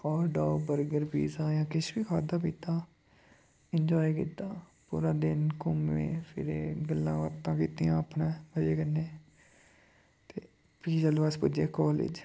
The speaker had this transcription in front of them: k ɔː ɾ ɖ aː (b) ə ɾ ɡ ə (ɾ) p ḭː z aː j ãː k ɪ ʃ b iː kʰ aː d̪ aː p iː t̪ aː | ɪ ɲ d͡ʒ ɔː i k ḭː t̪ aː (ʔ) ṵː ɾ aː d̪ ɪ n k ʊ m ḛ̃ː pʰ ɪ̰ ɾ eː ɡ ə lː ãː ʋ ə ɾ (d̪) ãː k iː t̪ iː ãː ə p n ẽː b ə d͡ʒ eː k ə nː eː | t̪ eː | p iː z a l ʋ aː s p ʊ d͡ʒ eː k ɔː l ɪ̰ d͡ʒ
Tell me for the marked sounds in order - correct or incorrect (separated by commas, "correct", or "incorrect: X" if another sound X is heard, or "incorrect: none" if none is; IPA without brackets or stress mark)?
correct, correct, incorrect: p, incorrect: t̪